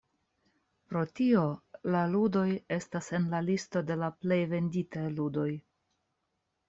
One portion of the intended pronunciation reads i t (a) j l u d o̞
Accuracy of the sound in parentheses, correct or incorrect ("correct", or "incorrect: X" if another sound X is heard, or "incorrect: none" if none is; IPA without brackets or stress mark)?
correct